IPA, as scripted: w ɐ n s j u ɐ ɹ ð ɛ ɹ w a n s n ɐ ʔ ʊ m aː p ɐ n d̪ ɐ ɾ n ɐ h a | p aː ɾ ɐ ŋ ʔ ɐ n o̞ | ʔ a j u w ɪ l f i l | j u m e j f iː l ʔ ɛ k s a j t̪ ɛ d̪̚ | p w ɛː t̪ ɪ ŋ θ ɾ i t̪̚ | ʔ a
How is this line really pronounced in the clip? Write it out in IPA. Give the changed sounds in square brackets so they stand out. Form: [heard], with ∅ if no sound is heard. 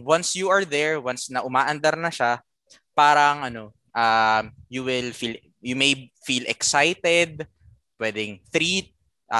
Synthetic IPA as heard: w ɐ n s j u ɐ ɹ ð ɛ ɹ w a n s n ɐ ʔ ʊ m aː [ʔ] ɐ n d̪ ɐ ɾ n ɐ [ʃ] a | p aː ɾ ɐ ŋ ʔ ɐ n o̞ | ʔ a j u w ɪ l f i l | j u m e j f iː l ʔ ɛ k s a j t̪ ɛ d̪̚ | p w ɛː [d̪] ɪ ŋ θ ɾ i t̪̚ | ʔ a